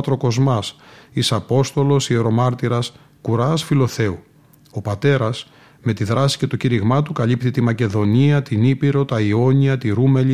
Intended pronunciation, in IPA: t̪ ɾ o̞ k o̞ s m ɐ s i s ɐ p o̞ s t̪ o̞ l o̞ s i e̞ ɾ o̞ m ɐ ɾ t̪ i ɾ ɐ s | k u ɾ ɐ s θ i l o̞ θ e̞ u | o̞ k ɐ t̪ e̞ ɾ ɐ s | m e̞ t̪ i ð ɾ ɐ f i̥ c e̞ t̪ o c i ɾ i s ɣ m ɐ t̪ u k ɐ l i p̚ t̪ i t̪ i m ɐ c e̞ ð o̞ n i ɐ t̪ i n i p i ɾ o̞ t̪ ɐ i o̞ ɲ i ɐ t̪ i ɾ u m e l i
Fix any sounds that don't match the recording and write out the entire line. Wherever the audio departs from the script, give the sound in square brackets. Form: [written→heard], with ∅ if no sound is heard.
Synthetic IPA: t̪ ɾ o̞ k o̞ [s→z] m ɐ s i s ɐ p o̞ s t̪ o̞ l o̞ s i e̞ ɾ o̞ m ɐ ɾ t̪ i ɾ ɐ s | k u ɾ ɐ s [θ→f] i l o̞ θ e̞ u | o̞ [k→p] ɐ t̪ e̞ ɾ ɐ s | m e̞ t̪ i ð ɾ ɐ [f→s] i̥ c e̞ t̪ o c i ɾ i [s→∅] ɣ m ɐ t̪ u k ɐ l i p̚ t̪ i t̪ i m ɐ c e̞ ð o̞ n i ɐ t̪ i n i p i ɾ o̞ t̪ ɐ i o̞ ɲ i ɐ t̪ i ɾ u m e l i